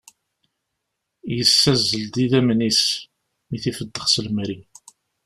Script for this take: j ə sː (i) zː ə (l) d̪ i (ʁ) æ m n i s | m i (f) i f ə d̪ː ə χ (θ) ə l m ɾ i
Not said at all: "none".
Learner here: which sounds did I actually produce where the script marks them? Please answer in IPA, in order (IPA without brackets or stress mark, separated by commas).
æ, l, ð, θ, s